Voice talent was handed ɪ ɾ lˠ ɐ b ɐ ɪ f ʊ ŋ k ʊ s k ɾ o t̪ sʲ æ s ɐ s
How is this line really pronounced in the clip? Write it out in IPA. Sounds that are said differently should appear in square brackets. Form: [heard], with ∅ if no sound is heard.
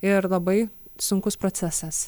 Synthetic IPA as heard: ɪ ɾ lˠ ɐ b ɐ ɪ [s] ʊ ŋ k ʊ s [p] ɾ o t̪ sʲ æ s ɐ s